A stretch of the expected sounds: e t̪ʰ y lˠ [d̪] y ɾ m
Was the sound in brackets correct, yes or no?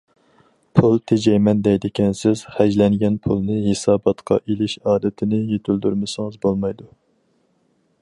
yes